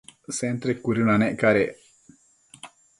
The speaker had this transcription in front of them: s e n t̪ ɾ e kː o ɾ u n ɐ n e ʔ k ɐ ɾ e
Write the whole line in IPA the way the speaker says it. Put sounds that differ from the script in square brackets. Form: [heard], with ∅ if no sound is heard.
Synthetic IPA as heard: s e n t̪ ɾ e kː [u] ɾ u n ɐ n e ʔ k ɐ ɾ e